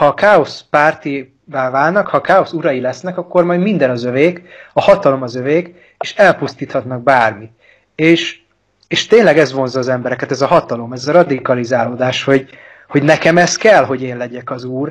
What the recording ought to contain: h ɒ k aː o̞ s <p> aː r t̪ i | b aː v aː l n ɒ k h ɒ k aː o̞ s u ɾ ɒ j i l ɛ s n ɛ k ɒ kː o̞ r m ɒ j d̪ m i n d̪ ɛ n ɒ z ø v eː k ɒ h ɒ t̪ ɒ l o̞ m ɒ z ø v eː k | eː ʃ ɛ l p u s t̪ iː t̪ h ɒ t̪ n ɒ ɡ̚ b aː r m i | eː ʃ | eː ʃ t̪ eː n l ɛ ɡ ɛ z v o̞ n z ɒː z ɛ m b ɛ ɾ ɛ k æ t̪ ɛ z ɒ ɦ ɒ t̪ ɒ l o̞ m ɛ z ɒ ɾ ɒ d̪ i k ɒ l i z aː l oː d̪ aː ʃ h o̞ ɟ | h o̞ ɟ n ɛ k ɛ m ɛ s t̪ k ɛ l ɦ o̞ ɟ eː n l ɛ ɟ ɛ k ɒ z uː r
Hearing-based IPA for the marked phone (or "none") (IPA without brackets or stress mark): p